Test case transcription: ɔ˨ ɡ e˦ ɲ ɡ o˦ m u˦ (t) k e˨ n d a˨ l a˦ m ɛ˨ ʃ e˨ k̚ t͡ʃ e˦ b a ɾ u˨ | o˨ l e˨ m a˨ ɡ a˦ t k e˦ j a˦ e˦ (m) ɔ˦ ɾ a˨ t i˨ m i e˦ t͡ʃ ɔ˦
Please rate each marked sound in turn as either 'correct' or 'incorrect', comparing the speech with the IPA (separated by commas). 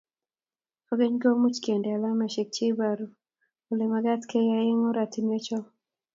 incorrect, incorrect